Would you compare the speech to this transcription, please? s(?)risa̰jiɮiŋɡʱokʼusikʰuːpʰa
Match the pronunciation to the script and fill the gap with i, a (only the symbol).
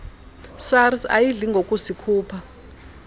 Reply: a